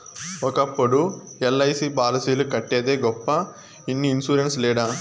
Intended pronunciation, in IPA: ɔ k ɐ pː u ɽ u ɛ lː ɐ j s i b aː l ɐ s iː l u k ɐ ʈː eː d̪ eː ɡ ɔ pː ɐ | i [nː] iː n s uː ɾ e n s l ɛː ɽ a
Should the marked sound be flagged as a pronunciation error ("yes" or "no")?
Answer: no